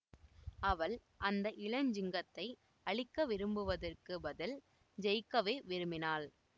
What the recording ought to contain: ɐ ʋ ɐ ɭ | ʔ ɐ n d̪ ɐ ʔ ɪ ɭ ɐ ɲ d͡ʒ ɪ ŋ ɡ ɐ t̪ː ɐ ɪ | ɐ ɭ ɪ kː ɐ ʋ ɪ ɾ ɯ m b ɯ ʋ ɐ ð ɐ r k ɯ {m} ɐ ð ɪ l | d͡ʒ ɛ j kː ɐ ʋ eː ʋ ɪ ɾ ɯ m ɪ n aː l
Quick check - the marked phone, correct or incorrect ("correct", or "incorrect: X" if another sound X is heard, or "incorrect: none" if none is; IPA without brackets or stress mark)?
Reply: incorrect: b